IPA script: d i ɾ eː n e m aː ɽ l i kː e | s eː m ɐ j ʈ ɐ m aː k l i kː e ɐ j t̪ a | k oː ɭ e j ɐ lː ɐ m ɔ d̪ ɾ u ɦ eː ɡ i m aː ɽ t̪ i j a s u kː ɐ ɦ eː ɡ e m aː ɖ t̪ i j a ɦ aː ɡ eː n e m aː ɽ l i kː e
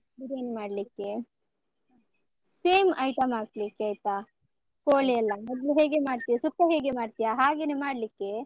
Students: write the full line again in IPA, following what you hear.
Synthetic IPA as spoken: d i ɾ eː n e m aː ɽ l i kː e | s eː m ɐ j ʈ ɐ m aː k l i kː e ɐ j t̪ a | k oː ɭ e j ɐ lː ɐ m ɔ d̪ l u ɦ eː ɡ e m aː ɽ t̪ i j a s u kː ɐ ɦ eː ɡ e m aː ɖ t̪ i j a ɦ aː ɡ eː n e m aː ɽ l i kː e